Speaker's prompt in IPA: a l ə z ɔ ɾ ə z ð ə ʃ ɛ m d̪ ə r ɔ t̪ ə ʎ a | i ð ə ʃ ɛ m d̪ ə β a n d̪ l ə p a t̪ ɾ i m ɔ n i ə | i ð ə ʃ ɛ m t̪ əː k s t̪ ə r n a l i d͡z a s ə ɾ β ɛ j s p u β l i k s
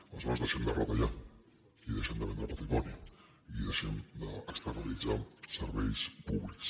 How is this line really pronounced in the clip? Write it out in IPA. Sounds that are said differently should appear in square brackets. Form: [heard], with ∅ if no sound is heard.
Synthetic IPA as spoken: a l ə z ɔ ɾ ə z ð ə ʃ ɛ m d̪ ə r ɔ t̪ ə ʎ a | i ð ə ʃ ɛ m d̪ ə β [ɛ] n d̪ [ɾ] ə p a t̪ ɾ i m ɔ n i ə | i ð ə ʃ ɛ m [d̪] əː k s t̪ ə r n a l i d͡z a s ə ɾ β ɛ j s p u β l i k s

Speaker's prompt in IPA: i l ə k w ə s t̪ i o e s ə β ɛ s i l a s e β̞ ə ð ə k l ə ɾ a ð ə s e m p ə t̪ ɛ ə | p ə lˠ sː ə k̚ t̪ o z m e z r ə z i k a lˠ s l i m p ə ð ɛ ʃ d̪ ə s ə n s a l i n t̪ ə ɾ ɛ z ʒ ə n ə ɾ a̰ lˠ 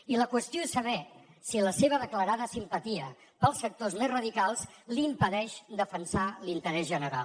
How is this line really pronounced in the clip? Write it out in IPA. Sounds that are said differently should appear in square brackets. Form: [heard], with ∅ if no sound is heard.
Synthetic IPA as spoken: i l ə k w ə s t̪ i o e s ə β ɛ s i l [ə] s e β̞ ə ð ə k l ə ɾ a ð ə s [i] m p ə t̪ [i] ə | p ə lˠ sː ə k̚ t̪ o z m e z r ə [ð] i k a lˠ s l i m p ə ð ɛ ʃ d̪ ə [f] ə n s a l i n t̪ ə ɾ ɛ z ʒ ə n ə ɾ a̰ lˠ

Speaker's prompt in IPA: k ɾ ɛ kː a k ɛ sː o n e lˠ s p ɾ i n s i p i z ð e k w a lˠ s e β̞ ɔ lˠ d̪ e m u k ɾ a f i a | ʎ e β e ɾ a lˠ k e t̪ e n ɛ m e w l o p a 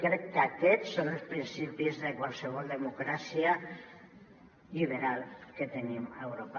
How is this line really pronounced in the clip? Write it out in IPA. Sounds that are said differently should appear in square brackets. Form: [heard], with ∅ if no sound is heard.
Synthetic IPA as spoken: k ɾ ɛ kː a k ɛ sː o n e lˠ s p ɾ i n s i p i z ð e k w a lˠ s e β̞ ɔ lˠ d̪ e m u k ɾ a [s] i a | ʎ [i] β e ɾ a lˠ k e t̪ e n [i] m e w [ɾ] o p a

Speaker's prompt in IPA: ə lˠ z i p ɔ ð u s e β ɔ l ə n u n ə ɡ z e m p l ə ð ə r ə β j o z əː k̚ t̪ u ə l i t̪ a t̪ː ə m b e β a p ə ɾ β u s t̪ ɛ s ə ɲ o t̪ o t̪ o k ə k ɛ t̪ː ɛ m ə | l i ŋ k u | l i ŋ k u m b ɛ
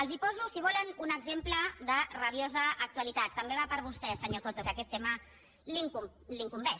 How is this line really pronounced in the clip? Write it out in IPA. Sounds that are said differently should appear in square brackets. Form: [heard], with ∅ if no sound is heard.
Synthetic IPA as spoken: ə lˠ z i p ɔ [z] u s [i] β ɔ l ə n u n ə ɡ z e m p l ə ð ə r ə β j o z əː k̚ t̪ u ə l i t̪ a t̪ː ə m b e β a p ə ɾ β u s t̪ ɛ s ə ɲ o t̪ o t̪ o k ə k ɛ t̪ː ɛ m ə | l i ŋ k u | l i ŋ k u m b ɛ

